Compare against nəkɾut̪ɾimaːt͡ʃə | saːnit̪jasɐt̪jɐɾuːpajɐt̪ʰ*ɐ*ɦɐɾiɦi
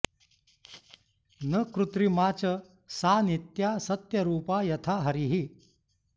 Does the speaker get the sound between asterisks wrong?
yes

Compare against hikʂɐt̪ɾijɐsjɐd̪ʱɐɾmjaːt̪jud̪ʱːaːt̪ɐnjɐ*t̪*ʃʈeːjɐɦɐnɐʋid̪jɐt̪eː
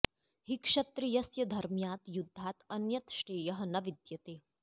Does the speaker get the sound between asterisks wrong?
no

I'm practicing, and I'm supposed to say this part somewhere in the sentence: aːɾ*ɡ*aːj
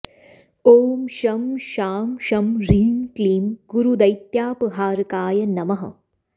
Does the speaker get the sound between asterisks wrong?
yes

